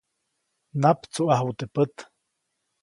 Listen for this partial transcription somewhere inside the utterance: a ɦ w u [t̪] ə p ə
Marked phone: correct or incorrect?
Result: correct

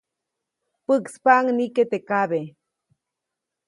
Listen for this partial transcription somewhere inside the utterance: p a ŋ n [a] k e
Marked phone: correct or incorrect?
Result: incorrect: i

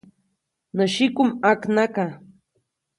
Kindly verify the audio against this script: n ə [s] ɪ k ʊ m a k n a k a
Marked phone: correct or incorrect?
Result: incorrect: ʃ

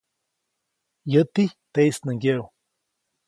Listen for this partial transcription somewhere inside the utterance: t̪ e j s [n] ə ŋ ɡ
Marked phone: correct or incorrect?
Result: correct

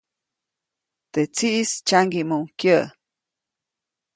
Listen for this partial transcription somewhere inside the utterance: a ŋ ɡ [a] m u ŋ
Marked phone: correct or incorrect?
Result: incorrect: i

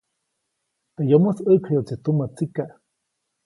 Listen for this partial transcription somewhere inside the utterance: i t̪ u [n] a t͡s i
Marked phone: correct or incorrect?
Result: incorrect: m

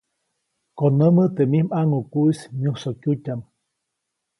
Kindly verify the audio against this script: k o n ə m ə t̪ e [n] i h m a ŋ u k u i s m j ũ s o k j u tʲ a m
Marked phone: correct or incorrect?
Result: incorrect: m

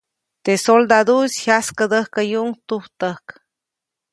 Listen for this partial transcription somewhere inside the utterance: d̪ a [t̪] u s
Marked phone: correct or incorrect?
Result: incorrect: d̪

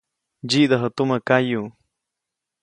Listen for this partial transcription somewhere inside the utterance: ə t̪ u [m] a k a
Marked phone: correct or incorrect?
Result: correct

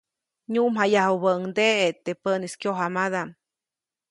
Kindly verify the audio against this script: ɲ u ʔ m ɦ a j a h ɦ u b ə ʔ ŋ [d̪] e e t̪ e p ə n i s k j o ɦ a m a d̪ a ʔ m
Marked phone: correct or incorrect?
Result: correct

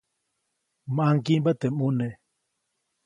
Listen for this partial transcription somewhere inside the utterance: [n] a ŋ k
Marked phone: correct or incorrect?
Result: incorrect: m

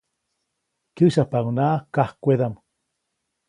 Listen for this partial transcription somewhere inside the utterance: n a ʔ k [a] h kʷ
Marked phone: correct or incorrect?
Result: correct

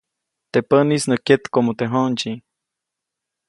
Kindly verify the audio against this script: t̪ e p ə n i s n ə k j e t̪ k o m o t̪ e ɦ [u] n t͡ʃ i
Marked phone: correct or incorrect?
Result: incorrect: o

